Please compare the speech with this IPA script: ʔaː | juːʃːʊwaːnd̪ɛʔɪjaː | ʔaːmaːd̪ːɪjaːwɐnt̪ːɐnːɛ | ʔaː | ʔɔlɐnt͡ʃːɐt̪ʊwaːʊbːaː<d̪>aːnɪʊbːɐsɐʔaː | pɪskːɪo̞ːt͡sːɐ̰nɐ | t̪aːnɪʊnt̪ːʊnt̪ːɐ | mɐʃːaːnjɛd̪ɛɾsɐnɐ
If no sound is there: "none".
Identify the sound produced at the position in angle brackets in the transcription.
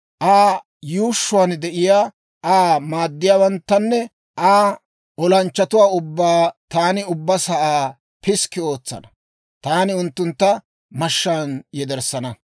t̪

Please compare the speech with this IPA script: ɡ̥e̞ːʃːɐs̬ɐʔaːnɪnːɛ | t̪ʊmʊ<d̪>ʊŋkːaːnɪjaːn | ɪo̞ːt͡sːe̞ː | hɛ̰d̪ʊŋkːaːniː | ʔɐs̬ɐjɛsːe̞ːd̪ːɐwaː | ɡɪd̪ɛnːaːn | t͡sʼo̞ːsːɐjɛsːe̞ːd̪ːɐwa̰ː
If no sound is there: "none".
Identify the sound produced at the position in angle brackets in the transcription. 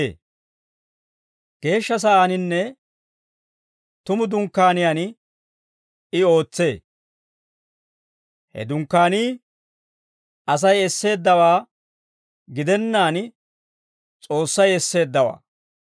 d̪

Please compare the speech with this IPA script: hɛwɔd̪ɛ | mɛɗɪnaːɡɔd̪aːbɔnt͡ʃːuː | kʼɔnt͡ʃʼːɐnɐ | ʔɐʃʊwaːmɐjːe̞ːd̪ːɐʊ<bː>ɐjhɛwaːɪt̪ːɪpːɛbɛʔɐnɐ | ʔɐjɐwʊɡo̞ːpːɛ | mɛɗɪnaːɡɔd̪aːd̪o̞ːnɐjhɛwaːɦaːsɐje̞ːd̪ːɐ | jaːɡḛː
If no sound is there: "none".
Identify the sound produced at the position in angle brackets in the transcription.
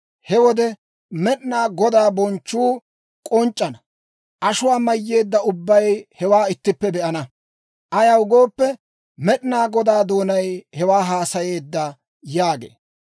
bː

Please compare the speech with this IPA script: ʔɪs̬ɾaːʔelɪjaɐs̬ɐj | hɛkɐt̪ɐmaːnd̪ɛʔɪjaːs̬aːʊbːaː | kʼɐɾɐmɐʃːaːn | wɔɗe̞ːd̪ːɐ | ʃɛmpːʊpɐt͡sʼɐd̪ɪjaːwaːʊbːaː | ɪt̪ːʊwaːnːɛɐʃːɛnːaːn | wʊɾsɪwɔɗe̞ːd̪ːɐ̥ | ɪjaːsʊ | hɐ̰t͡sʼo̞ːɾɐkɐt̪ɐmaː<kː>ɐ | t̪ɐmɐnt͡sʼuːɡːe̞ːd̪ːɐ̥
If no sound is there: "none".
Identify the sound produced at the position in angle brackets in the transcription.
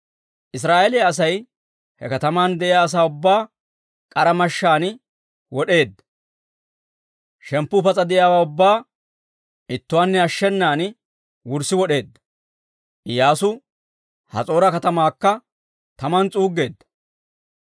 kː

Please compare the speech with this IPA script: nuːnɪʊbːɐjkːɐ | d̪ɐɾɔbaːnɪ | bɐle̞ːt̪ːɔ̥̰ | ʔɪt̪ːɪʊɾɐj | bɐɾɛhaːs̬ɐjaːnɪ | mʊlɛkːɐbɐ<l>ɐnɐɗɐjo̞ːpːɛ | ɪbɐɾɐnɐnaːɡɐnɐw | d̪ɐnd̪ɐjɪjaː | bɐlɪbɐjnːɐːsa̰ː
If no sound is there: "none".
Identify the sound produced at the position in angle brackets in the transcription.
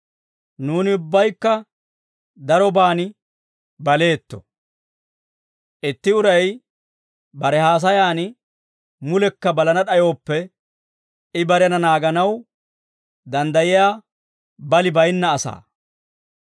l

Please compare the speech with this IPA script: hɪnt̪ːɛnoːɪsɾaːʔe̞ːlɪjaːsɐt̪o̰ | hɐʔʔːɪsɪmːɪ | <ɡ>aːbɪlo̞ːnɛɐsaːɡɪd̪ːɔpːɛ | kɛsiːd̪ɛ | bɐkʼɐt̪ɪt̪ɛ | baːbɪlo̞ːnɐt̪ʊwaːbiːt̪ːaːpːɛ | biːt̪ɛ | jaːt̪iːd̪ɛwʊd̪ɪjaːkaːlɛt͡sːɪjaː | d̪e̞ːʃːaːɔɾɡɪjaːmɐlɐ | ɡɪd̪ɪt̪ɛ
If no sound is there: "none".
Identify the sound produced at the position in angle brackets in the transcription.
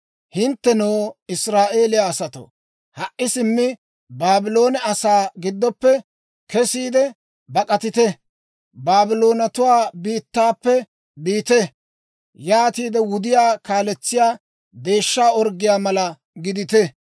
b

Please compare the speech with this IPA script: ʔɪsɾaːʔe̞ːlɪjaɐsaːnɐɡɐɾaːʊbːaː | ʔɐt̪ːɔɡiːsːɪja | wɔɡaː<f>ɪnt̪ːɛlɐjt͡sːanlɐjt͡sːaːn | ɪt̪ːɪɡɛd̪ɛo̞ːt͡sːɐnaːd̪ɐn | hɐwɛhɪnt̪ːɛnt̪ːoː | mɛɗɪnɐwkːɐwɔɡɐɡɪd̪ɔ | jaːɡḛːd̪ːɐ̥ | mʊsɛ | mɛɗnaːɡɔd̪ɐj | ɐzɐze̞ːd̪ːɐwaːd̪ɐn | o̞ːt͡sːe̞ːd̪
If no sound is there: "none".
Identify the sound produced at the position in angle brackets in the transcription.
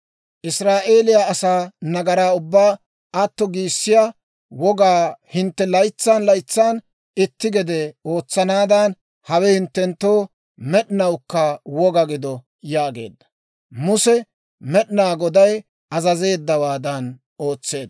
h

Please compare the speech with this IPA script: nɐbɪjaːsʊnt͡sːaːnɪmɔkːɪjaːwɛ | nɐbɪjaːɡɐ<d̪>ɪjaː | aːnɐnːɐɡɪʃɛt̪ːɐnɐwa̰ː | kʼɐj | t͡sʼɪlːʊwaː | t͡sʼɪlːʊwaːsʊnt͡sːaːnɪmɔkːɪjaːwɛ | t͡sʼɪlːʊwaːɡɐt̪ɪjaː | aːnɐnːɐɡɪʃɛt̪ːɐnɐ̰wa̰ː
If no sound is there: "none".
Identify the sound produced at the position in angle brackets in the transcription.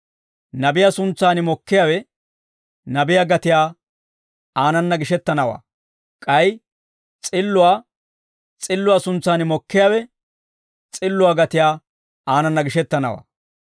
t̪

